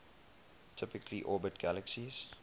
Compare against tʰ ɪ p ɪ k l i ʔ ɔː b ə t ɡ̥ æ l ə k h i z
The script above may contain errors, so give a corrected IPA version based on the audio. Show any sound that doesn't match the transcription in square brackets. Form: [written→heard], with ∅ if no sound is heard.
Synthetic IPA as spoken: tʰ ɪ p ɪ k l i ʔ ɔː b ə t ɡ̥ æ l ə k [h→s] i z